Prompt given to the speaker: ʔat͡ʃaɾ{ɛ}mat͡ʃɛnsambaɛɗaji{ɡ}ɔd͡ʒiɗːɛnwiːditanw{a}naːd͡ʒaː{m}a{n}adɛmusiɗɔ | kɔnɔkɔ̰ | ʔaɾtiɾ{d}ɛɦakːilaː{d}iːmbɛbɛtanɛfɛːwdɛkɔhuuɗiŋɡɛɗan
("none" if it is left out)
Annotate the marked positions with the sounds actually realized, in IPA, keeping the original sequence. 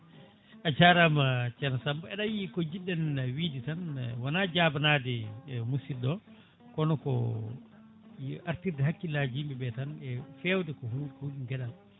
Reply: a, k, a, b, n, d, d͡ʒ

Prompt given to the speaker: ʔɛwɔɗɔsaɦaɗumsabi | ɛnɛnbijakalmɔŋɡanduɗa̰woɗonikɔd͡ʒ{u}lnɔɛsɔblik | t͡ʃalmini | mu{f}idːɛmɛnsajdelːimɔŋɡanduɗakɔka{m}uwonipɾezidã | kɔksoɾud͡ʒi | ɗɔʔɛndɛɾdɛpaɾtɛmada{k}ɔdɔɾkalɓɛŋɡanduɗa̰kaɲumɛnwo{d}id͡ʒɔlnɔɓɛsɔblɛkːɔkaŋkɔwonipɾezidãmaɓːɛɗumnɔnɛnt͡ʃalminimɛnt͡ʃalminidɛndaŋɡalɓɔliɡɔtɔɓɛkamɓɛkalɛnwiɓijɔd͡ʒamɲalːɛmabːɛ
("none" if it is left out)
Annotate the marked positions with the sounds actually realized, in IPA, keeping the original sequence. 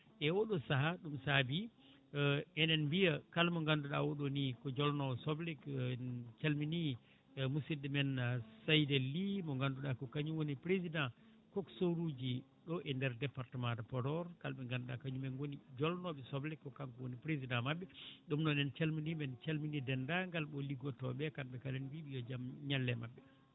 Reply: ɔ, s, ɲ, p, n

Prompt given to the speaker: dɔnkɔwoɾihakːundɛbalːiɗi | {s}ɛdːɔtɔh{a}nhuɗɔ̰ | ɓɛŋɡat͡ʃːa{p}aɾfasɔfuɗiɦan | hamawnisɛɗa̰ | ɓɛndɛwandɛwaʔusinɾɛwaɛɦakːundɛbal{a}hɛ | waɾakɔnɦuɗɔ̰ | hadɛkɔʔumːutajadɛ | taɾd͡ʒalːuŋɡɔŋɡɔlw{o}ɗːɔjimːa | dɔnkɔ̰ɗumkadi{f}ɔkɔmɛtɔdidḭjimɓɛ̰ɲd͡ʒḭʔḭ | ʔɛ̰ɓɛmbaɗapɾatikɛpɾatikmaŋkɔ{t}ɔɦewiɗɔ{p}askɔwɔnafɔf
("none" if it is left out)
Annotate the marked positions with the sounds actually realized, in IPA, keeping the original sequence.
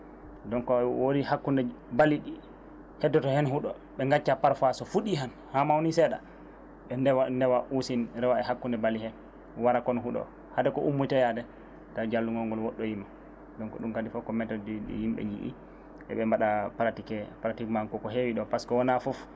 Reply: h, ɛ, p, i, ɔ, f, k, p

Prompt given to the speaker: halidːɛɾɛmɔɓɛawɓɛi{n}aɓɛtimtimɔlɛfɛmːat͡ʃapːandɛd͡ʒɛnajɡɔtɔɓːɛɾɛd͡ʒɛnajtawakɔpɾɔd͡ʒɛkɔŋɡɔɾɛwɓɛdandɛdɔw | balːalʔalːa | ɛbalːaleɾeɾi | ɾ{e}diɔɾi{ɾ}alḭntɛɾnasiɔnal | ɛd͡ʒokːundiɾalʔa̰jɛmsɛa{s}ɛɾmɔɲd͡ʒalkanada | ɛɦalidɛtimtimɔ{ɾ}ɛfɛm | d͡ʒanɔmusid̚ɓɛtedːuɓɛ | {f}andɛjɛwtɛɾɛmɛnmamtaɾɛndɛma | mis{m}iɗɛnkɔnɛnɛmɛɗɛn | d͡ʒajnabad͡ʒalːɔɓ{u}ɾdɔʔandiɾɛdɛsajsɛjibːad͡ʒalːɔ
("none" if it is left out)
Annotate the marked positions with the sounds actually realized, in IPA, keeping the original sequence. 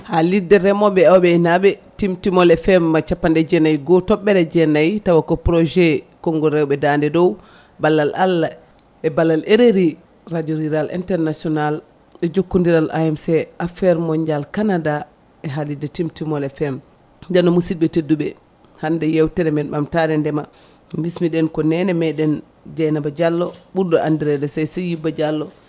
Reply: n, a, ɾ, f, l, h, m, u

